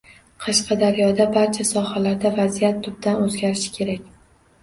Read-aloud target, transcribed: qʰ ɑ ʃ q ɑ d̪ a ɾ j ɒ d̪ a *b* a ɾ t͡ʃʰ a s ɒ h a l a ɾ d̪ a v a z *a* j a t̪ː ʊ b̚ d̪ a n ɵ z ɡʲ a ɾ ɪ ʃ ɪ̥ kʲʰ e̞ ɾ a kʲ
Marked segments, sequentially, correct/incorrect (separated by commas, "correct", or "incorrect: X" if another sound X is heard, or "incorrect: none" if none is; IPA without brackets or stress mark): correct, incorrect: i